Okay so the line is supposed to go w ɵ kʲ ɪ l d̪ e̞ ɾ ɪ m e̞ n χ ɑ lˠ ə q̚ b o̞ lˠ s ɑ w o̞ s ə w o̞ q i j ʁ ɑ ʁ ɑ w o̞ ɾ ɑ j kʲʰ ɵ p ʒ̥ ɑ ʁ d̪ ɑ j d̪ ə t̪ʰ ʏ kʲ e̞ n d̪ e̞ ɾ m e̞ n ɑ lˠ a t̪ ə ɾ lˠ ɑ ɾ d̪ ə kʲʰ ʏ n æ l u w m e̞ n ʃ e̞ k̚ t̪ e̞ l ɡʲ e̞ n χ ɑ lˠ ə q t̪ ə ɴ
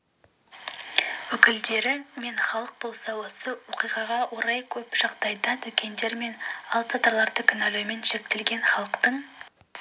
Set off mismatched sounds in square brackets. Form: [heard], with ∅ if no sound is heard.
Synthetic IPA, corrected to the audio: w ɵ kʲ ɪ l d̪ e̞ ɾ ɪ m e̞ n χ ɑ lˠ ə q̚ b o̞ lˠ s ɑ w o̞ s ə w o̞ q i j ʁ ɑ ʁ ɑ w o̞ ɾ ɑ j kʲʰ ɵ p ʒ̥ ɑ ʁ d̪ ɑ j d̪ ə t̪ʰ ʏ kʲ e̞ n d̪ e̞ ɾ m e̞ n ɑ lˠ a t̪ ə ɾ lˠ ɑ ɾ d̪ ə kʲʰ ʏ n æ l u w m e̞ n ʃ e̞ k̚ t̪ e̞ l ɡʲ e̞ n χ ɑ lˠ ə q t̪ ə ɴ